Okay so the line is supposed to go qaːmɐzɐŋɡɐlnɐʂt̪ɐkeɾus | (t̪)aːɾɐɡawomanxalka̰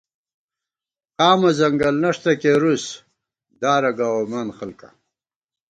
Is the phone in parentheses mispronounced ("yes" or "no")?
yes